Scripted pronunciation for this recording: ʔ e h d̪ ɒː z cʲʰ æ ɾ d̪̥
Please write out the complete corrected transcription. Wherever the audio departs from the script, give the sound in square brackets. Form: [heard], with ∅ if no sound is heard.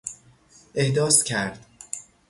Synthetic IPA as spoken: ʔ e h d̪ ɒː [s] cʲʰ æ ɾ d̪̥